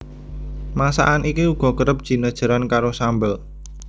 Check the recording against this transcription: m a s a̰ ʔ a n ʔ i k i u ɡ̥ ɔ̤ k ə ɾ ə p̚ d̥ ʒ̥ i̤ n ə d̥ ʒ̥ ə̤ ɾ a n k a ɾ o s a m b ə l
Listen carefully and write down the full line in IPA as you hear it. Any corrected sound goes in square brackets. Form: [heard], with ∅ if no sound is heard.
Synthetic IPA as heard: m a s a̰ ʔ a n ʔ i k i u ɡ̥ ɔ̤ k ə ɾ ə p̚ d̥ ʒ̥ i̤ n ə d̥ ʒ̥ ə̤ ɾ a n k a ɾ o s a m b ə l